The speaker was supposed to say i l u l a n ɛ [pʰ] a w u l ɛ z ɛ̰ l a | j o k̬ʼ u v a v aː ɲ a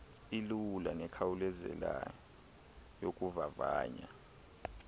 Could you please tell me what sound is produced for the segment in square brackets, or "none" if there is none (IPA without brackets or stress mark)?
kʰ